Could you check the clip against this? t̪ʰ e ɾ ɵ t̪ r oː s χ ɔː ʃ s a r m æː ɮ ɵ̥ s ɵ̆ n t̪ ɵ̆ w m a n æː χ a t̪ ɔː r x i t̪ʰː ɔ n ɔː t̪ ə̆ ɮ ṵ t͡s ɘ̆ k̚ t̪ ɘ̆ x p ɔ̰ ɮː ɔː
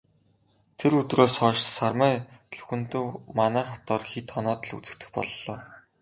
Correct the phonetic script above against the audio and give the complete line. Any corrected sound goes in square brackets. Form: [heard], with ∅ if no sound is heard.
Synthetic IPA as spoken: t̪ʰ e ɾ ɵ t̪ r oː s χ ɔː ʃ s a r m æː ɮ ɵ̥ [x] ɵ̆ n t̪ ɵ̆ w m a n æː χ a t̪ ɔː r x i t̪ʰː ɔ n ɔː t̪ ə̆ ɮ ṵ t͡s ɘ̆ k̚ t̪ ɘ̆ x p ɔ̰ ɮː ɔː